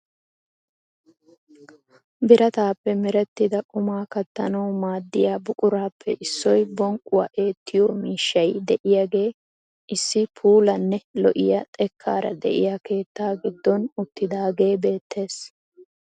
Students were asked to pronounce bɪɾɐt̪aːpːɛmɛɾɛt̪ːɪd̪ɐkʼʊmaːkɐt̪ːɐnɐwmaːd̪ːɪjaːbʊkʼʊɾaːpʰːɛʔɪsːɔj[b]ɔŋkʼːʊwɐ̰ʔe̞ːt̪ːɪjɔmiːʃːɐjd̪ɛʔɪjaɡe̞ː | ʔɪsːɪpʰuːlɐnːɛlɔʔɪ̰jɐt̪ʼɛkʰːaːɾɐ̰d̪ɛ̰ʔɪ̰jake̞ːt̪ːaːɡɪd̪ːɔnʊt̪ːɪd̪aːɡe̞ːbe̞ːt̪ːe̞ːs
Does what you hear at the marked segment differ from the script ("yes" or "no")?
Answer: no